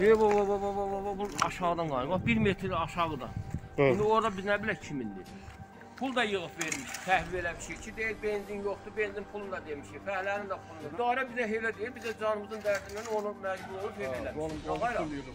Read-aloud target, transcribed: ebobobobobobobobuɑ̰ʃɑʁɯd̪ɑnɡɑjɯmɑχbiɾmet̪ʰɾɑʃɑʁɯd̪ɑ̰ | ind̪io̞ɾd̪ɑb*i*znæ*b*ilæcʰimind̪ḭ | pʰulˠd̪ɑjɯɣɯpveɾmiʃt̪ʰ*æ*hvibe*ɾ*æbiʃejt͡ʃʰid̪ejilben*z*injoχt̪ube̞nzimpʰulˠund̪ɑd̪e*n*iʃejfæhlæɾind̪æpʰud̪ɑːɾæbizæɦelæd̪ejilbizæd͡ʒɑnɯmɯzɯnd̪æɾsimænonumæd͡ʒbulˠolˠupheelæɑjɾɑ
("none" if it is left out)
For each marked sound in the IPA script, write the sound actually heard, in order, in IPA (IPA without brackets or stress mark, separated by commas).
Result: i, b, æ, l, z, m